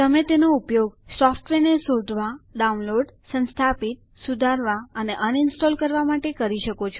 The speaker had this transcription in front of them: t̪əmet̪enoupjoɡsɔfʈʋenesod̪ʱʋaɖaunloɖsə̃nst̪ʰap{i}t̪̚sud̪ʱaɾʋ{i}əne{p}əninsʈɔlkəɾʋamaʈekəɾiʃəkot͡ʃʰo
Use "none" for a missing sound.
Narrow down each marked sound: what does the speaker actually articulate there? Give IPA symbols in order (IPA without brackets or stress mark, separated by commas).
i, a, ʔ